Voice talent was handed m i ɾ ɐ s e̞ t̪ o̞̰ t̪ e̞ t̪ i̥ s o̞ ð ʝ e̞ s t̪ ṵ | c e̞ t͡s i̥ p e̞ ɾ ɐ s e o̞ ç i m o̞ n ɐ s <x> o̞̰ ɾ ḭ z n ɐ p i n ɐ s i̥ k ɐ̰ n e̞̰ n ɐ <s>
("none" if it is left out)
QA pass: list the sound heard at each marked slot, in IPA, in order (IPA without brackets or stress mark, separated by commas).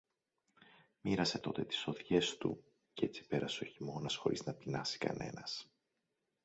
x, s